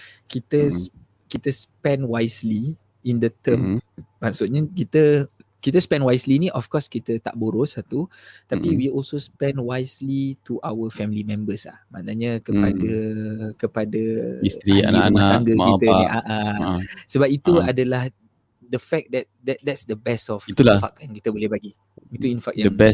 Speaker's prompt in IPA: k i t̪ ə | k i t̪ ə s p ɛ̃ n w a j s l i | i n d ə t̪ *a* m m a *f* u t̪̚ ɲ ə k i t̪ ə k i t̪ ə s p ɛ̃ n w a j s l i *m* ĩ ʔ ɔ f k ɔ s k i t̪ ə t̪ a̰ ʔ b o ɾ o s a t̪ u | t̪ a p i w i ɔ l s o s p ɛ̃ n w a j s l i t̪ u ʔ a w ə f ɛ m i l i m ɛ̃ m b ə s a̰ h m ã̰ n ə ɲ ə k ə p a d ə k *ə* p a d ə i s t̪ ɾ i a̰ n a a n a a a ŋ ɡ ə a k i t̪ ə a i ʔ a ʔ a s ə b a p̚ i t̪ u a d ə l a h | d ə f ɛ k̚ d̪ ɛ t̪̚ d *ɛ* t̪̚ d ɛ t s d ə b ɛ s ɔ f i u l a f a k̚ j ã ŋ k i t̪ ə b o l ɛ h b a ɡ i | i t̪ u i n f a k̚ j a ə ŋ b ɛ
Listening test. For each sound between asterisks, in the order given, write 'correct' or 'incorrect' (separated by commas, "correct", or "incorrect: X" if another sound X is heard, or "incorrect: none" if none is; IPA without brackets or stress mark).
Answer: incorrect: ə, incorrect: s, incorrect: n, correct, correct